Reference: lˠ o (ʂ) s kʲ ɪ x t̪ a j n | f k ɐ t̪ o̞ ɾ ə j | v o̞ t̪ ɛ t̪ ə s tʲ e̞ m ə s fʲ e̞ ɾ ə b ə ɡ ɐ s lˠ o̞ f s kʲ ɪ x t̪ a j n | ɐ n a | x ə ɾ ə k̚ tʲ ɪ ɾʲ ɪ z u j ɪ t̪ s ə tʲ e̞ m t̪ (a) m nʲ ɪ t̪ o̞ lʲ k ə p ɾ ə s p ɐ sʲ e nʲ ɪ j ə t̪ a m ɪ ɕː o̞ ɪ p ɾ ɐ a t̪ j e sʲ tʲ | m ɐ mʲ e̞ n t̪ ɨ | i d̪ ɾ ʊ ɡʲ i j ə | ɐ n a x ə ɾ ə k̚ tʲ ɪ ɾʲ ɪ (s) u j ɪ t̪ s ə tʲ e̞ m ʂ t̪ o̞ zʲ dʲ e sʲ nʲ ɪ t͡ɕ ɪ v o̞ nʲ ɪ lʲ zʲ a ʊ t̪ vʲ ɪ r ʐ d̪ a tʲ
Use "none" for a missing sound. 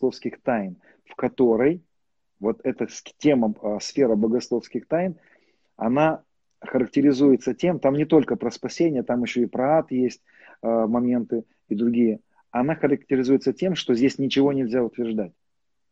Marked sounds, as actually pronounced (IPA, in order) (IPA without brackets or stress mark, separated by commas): f, a, z